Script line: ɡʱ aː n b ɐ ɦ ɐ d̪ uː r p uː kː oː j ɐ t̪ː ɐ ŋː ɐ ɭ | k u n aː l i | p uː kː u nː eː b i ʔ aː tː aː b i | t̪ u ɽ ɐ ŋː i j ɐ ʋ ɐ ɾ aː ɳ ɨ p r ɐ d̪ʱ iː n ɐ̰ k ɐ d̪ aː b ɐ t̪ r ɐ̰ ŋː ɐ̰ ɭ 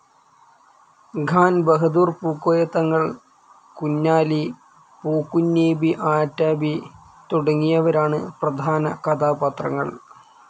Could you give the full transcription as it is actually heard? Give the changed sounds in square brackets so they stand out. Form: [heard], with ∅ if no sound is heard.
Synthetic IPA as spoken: ɡʱ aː n b ɐ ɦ ɐ d̪ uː r p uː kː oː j ɐ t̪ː ɐ ŋː ɐ ɭ | k u [nː] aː l i | p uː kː u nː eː b i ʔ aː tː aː b i | t̪ u ɽ ɐ ŋː i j ɐ ʋ ɐ ɾ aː ɳ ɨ p r ɐ d̪ʱ [aː] n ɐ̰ k ɐ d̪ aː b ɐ t̪ r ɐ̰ ŋː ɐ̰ ɭ